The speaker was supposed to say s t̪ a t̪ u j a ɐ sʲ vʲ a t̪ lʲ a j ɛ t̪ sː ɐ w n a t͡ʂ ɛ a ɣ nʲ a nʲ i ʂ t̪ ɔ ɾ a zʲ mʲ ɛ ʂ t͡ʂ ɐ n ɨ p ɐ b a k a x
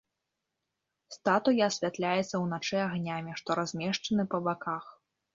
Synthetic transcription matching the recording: s t̪ a t̪ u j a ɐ sʲ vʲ a t̪ lʲ a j ɛ t̪ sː ɐ w n a t͡ʂ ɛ a ɣ nʲ a mʲ i ʂ t̪ ɔ ɾ a zʲ mʲ ɛ ʂ t͡ʂ ɐ n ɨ p ɐ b a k a x

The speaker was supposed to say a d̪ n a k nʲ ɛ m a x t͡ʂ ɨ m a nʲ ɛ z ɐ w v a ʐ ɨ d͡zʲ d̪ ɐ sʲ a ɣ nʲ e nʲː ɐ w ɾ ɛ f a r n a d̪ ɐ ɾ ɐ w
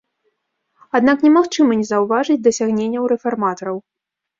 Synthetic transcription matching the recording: a d̪ n a k nʲ ɛ m a x t͡ʂ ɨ m ɐ nʲ ɛ z ɐ w v a ʐ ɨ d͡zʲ d̪ ɐ sʲ a ɣ nʲ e nʲː ɐ w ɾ ɛ f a r m a t̪ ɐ ɾ ɐ w

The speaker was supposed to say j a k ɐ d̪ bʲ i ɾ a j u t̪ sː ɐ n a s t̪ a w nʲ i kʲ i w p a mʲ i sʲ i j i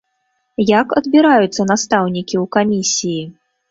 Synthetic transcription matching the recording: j a k ɐ d̪ bʲ i ɾ a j u t̪ sː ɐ n a s t̪ a w nʲ i kʲ i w k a mʲ i sʲ i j i

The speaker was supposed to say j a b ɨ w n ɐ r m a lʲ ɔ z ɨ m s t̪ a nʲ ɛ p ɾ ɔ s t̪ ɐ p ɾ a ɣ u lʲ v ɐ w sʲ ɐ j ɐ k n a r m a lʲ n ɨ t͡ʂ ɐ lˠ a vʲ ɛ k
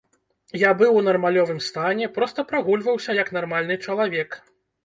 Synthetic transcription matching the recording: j a b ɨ w n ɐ r m a lʲ ɔ v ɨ m s t̪ a nʲ ɛ p ɾ ɔ s t̪ ɐ p ɾ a ɣ u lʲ v ɐ w sʲ ɐ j ɐ k n a r m a lʲ n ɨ t͡ʂ ɐ lˠ a vʲ ɛ k

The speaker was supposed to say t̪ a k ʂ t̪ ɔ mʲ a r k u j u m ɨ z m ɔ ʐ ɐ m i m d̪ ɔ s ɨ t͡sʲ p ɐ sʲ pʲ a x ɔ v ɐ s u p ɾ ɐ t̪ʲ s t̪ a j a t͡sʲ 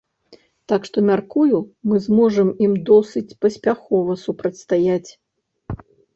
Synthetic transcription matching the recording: t̪ a k ʂ t̪ ɔ mʲ a r k u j u m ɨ z m ɔ ʐ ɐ m i m d̪ ɔ s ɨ t͡sʲ p ɐ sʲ pʲ a x ɔ v ɐ s u p ɾ ɐ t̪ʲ s t̪ a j a t͡sʲ

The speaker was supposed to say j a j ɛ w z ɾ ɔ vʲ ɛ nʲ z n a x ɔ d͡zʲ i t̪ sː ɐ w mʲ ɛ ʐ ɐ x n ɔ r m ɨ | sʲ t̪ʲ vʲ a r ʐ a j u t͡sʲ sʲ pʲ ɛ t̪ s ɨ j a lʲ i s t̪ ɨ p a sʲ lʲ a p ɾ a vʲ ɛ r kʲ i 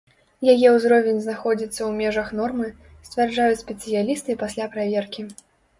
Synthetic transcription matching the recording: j a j ɛ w z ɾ ɔ vʲ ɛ nʲ z n a x ɔ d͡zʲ i t̪ sː ɐ w mʲ ɛ ʐ ɐ x n ɔ r m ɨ | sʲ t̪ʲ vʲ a r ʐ a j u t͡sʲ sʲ pʲ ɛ t̪ s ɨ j a lʲ i s t̪ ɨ p a sʲ lʲ a p ɾ a vʲ ɛ r kʲ i

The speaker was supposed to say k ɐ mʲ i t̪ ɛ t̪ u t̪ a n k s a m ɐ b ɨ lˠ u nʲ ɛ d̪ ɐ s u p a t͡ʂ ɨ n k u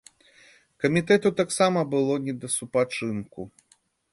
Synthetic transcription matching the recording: k ɐ mʲ i t̪ ɛ t̪ u t̪ a k s a m ɐ b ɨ lˠ ɔ nʲ ɛ d̪ ɐ s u p a t͡ʂ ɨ n k u

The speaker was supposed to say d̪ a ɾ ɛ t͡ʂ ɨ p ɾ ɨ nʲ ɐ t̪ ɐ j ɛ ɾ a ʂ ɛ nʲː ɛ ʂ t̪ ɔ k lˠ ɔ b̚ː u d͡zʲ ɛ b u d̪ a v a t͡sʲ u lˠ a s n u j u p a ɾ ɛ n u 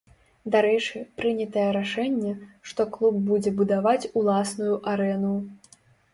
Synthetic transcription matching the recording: d̪ a ɾ ɛ t͡ʂ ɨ p ɾ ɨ nʲ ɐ t̪ ɐ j ɛ ɾ a ʂ ɛ nʲː ɛ ʂ t̪ ɔ k lˠ u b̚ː u d͡zʲ ɛ b u d̪ a v a t͡sʲ u lˠ a s n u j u ʔ a ɾ ɛ n u

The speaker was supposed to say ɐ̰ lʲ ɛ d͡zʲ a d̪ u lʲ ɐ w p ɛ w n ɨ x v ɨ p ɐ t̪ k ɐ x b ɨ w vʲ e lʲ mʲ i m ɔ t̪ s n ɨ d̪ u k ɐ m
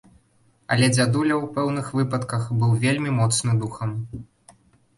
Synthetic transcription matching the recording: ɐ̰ lʲ ɛ d͡zʲ a d̪ u lʲ ɐ w p ɛ w n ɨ x v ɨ p ɐ t̪ k ɐ x b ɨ w vʲ e lʲ mʲ i m ɔ t̪ s n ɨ d̪ u x ɐ m

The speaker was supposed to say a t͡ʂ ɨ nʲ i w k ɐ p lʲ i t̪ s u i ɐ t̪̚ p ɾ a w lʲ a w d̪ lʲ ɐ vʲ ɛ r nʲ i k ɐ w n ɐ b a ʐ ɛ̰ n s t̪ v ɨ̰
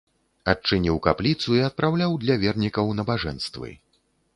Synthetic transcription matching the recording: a t͡ʂ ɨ nʲ i w k a p lʲ i t̪ s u i ɐ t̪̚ p ɾ a w lʲ a w d̪ lʲ ɐ vʲ ɛ r nʲ i k ɐ w n ɐ b a ʐ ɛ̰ n s t̪ v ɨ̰

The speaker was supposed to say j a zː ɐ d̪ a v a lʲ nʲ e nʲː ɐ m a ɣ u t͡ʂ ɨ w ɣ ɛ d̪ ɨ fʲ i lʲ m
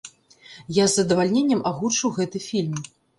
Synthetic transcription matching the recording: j a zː ɐ d̪ ɐ v a lʲ nʲ e nʲː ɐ m a ɣ u t͡ʂ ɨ w ɣ ɛ t̪ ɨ fʲ i lʲ m

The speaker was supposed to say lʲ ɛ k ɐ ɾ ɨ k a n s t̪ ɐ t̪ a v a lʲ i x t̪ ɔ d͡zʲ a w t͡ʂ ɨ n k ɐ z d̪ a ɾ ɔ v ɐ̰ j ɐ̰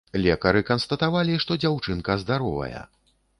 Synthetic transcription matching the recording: lʲ ɛ k ɐ ɾ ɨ k ɐ n s t̪ ɐ t̪ a v a lʲ i ʂ t̪ ɔ d͡zʲ a w t͡ʂ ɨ n k ɐ z d̪ a ɾ ɔ v ɐ̰ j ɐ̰

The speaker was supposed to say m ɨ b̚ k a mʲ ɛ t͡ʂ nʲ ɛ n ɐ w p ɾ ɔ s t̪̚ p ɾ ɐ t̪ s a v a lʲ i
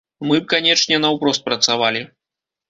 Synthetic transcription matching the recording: m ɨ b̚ k a nʲ ɛ t͡ʂ nʲ ɛ n ɐ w p ɾ ɔ s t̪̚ p ɾ ɐ t̪ s a v a lʲ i

